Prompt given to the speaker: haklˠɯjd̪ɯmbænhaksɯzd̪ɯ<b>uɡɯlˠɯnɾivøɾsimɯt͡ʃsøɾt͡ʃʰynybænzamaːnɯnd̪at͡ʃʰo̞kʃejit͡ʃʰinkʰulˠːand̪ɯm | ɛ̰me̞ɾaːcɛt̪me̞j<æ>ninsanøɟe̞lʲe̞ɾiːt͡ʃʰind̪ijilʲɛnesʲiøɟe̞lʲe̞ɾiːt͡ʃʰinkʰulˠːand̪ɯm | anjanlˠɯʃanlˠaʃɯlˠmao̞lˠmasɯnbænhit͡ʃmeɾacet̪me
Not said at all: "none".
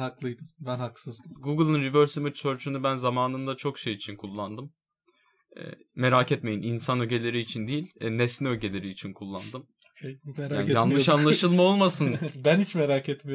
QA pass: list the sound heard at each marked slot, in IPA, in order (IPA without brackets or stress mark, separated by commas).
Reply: ɡ, i